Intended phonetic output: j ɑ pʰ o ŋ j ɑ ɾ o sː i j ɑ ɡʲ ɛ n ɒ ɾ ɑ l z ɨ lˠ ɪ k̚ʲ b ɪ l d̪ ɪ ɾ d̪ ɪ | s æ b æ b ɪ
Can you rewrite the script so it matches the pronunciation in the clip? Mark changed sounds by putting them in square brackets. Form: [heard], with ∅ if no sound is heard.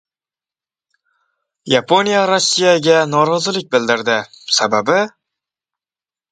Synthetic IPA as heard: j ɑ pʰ o [n] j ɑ ɾ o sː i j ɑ ɡʲ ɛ n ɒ ɾ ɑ [∅] z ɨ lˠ ɪ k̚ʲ b ɪ l d̪ ɪ ɾ d̪ ɪ | s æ b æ b ɪ